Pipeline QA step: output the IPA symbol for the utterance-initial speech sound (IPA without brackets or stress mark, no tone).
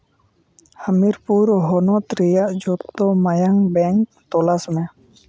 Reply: h